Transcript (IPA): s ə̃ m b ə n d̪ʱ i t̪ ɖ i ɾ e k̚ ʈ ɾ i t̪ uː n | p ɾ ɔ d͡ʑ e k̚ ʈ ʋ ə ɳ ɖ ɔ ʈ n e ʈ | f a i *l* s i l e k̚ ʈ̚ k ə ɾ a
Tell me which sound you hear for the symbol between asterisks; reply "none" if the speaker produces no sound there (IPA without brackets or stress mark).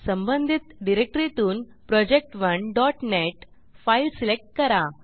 l